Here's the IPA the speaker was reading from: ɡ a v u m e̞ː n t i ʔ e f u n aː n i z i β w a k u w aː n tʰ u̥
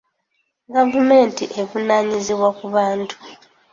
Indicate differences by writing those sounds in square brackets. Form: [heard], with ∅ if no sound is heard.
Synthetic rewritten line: ɡ a v u m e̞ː n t i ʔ e [v] u n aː [ɲ] i z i β w a k u [β] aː n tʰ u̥